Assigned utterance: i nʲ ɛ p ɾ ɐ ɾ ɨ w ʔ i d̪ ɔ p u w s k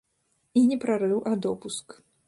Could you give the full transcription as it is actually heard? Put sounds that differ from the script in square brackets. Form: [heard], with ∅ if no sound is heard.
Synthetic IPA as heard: i nʲ ɛ p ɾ [a] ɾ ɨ w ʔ [a] d̪ ɔ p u [∅] s k